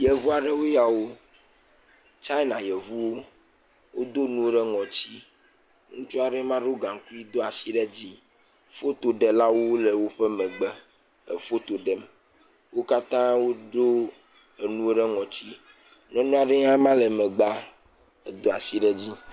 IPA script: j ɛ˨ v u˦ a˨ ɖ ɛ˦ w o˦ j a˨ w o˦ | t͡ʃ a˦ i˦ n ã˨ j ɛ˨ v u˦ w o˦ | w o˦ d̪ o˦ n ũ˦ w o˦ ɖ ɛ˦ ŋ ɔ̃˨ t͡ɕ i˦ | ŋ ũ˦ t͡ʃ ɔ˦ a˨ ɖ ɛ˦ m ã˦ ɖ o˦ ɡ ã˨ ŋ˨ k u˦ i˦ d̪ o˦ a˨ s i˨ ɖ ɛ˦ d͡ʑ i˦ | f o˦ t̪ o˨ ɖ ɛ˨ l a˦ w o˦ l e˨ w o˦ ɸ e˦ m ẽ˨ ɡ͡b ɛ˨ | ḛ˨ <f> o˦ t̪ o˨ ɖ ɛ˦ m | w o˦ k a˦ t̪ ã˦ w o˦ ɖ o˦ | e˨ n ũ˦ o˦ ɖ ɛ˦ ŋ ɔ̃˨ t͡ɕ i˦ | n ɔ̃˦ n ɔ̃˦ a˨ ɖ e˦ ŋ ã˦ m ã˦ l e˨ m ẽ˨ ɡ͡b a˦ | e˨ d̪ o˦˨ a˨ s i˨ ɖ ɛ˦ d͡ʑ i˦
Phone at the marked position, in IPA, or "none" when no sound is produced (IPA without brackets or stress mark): f